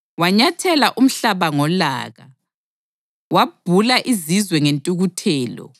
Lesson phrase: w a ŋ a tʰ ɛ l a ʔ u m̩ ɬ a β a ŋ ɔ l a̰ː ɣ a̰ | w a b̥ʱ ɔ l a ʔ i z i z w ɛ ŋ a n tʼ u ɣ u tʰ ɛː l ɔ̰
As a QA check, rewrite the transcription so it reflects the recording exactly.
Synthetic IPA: w a ɲ a tʰ ɛ l a ʔ u m̩ ɬ a β a ŋ ɔ l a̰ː ɣ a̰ | w a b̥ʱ u l a ʔ i z i z w ɛ ŋ e n tʼ u ɣ u tʰ ɛː l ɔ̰